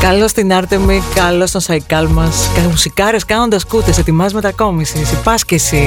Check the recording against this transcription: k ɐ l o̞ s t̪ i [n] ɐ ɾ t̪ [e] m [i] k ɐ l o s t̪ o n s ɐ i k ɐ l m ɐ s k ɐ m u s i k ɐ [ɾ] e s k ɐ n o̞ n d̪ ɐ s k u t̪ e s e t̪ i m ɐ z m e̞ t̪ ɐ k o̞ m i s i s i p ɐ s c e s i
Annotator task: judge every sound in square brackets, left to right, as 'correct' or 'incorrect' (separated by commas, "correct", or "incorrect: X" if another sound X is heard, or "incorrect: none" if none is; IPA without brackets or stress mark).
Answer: correct, correct, correct, correct